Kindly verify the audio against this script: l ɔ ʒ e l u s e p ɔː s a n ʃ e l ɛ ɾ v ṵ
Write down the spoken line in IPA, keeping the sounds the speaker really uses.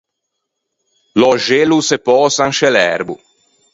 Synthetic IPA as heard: l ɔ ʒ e l u s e p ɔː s a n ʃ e l ɛ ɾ b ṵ